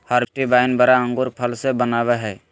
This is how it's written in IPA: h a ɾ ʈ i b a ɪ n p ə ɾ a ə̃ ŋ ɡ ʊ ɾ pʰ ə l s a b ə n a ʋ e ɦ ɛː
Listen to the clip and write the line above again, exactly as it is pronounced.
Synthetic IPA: h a ɾ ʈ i b a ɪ n b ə ɾ a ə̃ ŋ ɡ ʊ ɾ pʰ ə l s e b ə n a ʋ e ɦ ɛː